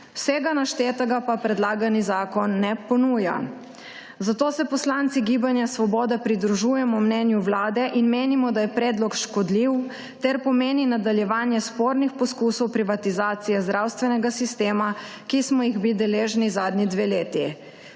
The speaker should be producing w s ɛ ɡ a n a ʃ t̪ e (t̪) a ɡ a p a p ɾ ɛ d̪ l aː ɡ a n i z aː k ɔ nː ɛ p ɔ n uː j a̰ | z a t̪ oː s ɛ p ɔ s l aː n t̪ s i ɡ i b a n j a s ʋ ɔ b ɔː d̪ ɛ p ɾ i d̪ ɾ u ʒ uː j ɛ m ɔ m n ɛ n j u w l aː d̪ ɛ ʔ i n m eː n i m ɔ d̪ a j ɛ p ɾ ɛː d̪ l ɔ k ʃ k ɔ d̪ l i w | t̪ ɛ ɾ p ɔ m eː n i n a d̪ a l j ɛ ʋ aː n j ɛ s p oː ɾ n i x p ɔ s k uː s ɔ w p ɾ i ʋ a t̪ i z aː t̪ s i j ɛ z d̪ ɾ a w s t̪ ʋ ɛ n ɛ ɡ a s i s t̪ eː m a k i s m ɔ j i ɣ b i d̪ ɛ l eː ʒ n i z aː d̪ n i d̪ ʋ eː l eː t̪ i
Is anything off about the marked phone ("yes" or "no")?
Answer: no